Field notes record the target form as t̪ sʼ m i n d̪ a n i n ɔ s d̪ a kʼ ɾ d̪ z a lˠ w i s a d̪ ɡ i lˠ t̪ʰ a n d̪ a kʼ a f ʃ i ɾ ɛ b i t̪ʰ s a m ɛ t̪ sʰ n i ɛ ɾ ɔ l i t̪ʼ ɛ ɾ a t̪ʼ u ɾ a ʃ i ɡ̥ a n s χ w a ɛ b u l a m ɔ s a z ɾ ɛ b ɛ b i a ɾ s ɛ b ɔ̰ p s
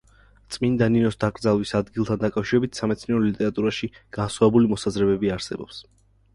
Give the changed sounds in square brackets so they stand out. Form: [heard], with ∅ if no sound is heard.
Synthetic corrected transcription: t̪ sʼ m i n d̪ a n i n ɔ s d̪ a kʼ ɾ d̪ z a lˠ w i s a d̪ ɡ i lˠ t̪ʰ a n d̪ a kʼ a f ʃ i ɾ ɛ b i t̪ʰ s a m ɛ t̪ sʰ n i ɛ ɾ ɔ l i t̪ʼ ɛ ɾ a t̪ʼ u ɾ a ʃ i ɡ̥ a n s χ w a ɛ b u l [i] m ɔ s a z ɾ ɛ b ɛ b i a ɾ s ɛ b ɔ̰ p s

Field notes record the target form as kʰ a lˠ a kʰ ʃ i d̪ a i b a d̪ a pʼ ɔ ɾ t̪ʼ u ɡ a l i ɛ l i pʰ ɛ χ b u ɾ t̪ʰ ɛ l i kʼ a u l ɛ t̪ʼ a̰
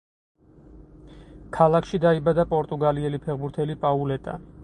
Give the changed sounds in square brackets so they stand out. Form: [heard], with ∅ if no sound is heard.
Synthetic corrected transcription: kʰ a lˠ a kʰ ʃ i d̪ a i b a d̪ a pʼ ɔ ɾ t̪ʼ u ɡ a l i ɛ l i pʰ ɛ [ʁ] b u ɾ t̪ʰ ɛ l i [pʼ] a u l ɛ t̪ʼ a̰

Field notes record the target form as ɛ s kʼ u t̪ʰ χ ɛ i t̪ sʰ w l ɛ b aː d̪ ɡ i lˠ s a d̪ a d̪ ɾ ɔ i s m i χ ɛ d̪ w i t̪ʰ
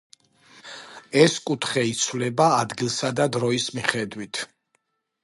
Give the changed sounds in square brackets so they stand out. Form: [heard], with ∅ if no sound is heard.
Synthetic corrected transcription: ɛ s kʼ u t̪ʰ χ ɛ i t̪ sʰ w l ɛ b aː d̪ ɡ i lˠ s a d̪ a d̪ ɾ ɔ i s m i χ ɛ d̪ w i t̪ʰ

